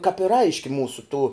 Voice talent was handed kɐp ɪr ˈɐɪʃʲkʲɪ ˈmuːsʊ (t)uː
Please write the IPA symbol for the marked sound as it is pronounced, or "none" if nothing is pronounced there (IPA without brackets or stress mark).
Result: t